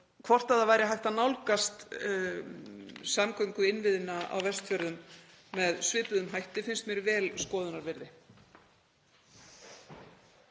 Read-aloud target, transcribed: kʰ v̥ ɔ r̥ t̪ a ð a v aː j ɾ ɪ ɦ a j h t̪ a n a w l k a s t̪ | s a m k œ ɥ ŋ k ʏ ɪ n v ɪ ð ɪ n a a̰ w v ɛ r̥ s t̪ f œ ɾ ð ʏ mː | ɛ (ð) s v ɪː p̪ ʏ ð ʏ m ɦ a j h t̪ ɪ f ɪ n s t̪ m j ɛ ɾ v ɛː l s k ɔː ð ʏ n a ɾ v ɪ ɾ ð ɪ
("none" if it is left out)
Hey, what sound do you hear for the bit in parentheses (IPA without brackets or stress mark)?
ð